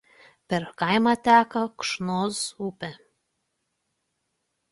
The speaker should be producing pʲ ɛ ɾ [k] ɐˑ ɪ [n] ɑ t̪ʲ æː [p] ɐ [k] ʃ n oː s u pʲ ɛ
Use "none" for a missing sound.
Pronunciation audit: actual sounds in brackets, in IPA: k, m, k, k

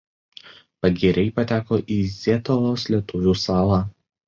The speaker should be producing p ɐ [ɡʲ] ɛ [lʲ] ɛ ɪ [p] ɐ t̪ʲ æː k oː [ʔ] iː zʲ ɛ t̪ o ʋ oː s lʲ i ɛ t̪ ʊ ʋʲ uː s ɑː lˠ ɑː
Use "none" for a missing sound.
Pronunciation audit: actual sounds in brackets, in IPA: ɡʲ, ɾʲ, p, ʔ

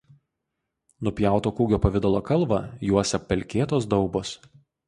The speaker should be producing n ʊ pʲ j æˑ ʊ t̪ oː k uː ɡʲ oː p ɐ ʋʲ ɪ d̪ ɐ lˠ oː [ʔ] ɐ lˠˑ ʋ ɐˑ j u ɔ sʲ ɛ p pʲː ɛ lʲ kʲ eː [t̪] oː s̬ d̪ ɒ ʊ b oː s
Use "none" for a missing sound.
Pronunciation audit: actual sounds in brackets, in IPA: k, t̪

